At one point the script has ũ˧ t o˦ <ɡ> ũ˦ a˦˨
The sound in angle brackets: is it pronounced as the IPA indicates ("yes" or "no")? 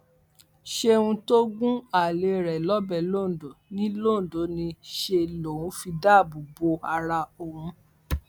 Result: yes